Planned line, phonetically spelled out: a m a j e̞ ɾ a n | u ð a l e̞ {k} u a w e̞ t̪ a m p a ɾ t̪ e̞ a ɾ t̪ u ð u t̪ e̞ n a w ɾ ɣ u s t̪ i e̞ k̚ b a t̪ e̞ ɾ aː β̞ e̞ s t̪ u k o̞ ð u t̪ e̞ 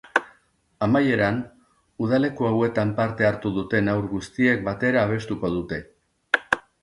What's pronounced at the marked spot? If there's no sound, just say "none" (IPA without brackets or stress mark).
k